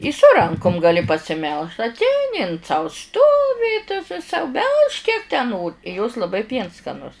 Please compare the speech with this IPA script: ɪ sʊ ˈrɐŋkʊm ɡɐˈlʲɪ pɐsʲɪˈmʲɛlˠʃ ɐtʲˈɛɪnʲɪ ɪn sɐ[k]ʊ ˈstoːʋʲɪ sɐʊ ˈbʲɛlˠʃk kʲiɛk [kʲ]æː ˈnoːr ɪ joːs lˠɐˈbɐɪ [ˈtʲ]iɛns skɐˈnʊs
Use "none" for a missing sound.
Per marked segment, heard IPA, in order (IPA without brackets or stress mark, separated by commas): none, tʲ, pʲ